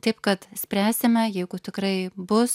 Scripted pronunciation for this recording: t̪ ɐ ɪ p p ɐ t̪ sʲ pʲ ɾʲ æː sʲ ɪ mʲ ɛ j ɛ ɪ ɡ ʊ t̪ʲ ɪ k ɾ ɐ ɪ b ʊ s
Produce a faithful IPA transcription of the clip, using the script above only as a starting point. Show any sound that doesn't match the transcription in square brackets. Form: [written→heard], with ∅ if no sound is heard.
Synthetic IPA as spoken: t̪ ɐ ɪ p [p→k] ɐ t̪ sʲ pʲ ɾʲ æː sʲ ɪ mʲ ɛ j ɛ ɪ ɡ ʊ t̪ʲ ɪ k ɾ ɐ ɪ b ʊ s